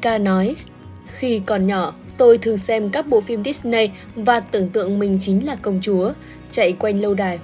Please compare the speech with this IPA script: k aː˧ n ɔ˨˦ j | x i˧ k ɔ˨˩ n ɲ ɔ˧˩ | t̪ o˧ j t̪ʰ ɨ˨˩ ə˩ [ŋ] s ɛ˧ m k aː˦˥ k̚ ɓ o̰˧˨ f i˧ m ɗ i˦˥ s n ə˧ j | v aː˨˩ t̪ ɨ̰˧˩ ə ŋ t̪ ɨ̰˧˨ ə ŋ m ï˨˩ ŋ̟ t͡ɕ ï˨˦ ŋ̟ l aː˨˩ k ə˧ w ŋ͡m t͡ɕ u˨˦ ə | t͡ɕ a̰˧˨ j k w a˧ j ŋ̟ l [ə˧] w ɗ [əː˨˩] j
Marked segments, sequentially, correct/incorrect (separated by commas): correct, correct, incorrect